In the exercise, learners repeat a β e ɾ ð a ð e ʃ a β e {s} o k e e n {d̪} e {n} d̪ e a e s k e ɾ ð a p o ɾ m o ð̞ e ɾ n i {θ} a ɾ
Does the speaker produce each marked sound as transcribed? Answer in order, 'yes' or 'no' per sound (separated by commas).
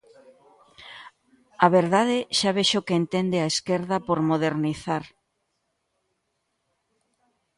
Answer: no, no, yes, yes